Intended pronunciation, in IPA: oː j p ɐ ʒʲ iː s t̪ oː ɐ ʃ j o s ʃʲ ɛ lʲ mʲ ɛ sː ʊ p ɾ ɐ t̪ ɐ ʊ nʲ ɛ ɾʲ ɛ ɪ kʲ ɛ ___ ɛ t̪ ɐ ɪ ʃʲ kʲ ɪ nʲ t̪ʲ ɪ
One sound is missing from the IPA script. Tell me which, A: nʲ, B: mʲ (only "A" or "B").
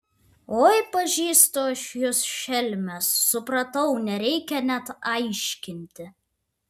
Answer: A